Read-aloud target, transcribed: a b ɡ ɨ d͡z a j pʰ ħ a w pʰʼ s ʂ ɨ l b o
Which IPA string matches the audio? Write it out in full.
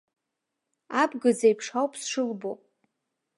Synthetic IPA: a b ɡ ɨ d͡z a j pʰ ʂ a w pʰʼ s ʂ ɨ l b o